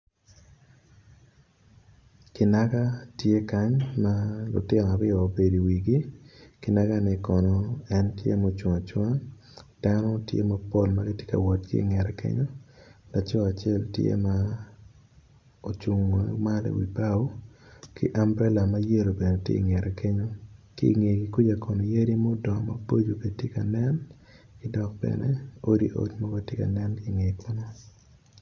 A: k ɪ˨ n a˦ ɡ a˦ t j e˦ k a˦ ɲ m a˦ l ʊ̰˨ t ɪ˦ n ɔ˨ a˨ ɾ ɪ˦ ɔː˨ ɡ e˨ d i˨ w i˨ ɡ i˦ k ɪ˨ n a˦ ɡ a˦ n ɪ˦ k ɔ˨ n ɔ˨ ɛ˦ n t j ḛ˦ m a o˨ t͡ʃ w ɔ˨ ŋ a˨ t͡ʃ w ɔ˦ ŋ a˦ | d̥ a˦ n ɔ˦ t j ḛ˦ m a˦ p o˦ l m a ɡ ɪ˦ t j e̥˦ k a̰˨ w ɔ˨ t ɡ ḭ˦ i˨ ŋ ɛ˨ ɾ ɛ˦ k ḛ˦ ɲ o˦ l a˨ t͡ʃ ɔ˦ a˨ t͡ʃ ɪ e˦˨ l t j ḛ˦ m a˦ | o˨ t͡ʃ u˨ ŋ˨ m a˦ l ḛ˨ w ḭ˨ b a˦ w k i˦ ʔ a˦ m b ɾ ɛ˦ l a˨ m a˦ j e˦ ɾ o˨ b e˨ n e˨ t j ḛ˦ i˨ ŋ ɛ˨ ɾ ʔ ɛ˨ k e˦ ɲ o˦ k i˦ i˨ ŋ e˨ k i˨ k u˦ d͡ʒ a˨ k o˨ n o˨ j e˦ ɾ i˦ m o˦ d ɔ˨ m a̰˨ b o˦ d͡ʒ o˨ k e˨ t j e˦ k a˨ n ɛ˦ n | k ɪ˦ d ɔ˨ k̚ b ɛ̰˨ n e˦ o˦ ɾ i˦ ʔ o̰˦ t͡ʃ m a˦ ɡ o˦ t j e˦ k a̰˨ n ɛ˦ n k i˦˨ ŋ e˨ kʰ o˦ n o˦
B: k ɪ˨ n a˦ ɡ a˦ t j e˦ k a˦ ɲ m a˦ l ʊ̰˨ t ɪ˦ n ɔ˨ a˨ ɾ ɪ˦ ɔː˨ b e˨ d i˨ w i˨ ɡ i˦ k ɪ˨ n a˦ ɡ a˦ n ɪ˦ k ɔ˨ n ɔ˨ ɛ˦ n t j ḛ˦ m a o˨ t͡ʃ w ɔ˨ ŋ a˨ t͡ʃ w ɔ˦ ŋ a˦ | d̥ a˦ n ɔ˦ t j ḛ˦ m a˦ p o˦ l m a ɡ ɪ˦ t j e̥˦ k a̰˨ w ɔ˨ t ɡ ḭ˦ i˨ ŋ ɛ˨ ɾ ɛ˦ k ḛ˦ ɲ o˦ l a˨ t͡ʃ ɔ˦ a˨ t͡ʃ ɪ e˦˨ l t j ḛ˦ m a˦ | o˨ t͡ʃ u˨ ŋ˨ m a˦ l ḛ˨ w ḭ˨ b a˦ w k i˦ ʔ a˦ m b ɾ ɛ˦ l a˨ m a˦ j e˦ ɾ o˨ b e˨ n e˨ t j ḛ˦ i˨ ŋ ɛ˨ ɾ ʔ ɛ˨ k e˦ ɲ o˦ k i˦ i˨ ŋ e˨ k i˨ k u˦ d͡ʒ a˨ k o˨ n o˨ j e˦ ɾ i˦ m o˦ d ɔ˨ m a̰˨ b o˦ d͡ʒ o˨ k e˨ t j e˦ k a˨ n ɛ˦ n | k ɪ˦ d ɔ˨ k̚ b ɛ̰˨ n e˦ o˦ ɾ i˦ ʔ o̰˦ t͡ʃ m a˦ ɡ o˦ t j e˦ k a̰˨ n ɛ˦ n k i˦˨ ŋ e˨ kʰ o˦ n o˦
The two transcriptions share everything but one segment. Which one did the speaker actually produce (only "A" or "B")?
B